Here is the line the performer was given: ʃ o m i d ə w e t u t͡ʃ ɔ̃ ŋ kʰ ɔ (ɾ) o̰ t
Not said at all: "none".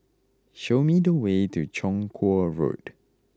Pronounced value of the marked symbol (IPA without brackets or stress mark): ɹ